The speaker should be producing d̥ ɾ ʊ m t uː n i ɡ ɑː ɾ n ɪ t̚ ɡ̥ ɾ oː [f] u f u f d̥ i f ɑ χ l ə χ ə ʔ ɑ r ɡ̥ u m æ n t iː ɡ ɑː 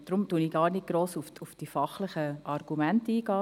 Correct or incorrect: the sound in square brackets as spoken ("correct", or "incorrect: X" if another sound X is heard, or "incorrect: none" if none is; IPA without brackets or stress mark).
incorrect: s